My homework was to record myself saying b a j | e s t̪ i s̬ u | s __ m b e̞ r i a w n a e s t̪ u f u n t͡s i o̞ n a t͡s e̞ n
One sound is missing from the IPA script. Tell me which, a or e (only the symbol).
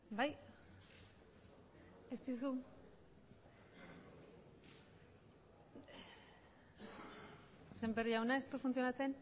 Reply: e